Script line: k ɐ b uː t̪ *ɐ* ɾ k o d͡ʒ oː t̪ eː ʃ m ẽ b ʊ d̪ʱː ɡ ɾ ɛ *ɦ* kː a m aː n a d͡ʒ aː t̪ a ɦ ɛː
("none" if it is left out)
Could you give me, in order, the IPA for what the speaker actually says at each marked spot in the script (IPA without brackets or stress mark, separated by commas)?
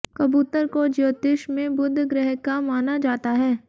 ə, ɦ